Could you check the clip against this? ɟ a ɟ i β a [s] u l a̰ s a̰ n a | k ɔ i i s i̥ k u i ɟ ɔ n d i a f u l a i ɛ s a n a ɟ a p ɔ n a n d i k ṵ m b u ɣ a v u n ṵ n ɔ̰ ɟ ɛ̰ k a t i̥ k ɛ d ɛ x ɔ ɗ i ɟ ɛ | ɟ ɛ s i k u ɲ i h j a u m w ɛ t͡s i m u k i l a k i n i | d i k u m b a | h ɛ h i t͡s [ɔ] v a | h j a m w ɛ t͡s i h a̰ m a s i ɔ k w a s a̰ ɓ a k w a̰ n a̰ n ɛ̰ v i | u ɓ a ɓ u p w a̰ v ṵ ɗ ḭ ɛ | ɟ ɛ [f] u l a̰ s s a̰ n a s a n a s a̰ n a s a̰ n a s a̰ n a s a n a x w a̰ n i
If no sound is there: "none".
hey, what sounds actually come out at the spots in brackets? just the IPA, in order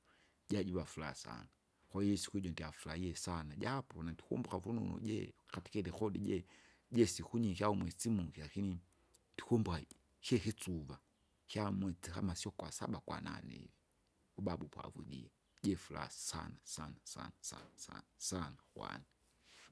f, u, f

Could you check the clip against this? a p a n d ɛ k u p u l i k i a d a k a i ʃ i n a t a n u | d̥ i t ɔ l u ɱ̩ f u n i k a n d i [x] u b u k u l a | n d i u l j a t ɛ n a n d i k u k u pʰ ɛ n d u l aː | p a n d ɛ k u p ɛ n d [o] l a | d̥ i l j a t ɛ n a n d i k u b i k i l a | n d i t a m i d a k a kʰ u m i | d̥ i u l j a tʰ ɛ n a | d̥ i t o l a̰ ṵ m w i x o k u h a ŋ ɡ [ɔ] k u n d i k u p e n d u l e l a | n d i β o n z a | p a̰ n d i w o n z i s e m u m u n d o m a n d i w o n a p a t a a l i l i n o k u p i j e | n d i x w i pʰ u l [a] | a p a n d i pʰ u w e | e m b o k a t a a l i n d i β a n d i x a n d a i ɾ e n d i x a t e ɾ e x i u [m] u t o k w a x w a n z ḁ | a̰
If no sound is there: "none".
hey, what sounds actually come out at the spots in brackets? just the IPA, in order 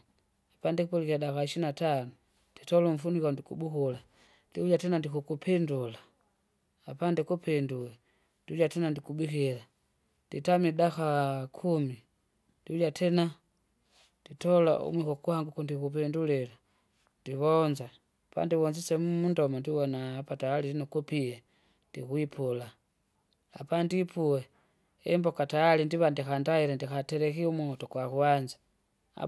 k, u, u, a, m

